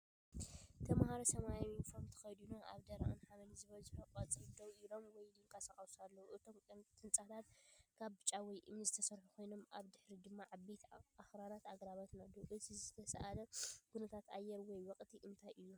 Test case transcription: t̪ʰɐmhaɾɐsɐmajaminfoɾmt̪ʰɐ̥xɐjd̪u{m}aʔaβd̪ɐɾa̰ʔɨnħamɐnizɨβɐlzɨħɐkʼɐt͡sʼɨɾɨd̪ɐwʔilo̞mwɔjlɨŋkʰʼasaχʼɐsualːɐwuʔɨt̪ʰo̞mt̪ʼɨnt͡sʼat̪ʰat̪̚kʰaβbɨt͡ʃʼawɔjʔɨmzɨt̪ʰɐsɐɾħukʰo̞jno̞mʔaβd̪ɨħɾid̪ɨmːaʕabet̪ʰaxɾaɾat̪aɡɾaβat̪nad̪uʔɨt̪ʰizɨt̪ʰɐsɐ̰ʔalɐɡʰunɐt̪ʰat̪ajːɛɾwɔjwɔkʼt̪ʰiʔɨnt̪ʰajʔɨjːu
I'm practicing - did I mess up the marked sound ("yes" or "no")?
yes